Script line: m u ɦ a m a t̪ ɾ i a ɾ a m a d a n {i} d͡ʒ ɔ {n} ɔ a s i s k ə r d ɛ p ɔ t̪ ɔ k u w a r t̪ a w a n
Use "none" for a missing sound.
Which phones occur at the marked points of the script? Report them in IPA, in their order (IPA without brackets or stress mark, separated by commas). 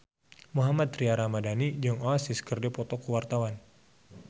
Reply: i, ŋ